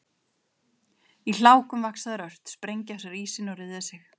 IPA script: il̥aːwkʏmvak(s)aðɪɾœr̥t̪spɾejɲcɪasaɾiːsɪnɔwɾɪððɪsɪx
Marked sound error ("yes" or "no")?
no